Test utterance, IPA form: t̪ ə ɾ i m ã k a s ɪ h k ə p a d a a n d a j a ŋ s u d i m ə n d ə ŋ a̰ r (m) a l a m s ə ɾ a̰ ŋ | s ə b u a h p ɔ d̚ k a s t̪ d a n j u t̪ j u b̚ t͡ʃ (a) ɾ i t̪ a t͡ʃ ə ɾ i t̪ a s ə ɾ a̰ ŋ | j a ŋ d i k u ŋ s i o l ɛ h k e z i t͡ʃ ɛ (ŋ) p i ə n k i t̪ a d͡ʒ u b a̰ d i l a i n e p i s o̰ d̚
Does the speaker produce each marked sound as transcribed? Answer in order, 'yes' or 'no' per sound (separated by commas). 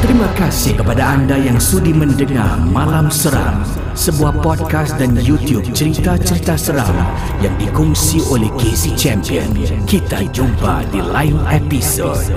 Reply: yes, no, no